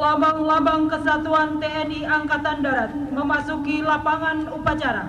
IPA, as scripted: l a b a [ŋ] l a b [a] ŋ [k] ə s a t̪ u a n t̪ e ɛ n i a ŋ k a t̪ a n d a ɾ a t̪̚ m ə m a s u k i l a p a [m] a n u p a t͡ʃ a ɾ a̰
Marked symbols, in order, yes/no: yes, yes, yes, no

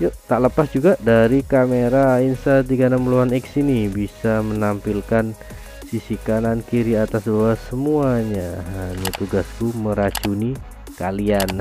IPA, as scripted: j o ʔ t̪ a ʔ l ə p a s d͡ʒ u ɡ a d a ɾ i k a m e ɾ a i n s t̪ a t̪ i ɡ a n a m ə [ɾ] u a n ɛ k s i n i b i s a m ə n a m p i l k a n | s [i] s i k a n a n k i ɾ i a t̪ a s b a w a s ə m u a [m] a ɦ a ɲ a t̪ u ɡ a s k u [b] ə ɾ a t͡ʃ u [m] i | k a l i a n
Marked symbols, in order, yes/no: no, yes, no, no, no

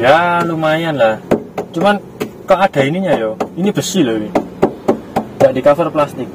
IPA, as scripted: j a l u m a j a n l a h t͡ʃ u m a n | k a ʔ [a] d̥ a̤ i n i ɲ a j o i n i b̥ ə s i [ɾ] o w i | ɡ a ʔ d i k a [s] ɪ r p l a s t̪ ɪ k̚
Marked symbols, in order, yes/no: yes, no, no

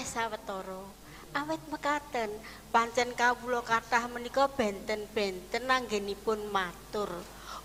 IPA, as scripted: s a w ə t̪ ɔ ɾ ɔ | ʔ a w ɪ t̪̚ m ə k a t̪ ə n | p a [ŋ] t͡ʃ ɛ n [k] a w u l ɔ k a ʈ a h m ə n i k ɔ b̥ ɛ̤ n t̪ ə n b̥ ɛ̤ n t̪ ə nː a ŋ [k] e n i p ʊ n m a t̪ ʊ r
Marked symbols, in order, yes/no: no, yes, no

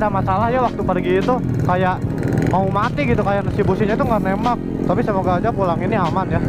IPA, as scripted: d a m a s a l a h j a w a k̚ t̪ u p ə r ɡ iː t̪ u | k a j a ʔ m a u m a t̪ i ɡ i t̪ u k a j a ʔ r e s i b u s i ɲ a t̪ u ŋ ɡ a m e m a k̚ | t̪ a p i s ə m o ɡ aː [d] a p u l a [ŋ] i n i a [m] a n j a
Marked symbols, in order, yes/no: no, yes, yes

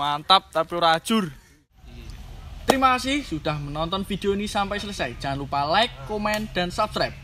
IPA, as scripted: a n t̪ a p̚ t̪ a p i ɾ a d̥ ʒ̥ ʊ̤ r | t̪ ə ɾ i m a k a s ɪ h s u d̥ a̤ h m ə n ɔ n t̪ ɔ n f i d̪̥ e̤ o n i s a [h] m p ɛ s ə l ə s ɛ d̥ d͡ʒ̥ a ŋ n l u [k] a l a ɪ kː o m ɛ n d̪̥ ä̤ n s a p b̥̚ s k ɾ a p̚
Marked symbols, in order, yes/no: no, no

